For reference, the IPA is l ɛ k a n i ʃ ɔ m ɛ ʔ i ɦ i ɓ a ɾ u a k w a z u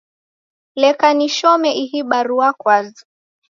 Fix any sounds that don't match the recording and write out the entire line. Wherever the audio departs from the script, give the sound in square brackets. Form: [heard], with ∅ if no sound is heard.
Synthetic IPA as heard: l ɛ k a n i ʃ ɔ m ɛ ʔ i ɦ i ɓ a ɾ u a k w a z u